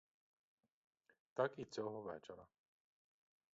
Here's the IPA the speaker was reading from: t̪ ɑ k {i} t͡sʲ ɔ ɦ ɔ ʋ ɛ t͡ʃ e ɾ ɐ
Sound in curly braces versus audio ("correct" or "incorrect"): correct